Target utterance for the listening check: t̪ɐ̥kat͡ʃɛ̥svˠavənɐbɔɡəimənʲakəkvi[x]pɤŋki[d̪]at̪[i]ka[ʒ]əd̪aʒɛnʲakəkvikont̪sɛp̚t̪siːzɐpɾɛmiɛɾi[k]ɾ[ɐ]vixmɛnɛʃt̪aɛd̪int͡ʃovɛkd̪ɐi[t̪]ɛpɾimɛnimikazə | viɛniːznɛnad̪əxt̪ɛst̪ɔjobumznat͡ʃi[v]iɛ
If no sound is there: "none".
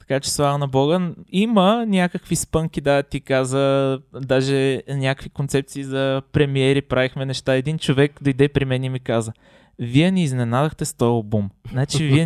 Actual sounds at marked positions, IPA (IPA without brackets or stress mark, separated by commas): s, d̪, i, z, p, a, d̪, v